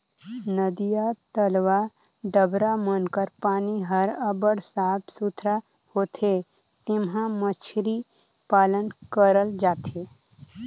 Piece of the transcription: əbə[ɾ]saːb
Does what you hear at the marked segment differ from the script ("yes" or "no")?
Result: yes